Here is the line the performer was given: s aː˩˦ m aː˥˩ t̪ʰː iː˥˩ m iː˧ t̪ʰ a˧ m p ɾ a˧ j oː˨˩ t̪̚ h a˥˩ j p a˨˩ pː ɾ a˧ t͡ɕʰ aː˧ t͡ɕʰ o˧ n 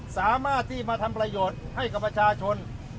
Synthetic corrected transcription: s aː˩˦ m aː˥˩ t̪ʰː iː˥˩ m aː˧ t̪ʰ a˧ m p ɾ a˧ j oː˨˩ t̪̚ h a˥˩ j k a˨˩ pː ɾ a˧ t͡ɕʰ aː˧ t͡ɕʰ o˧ n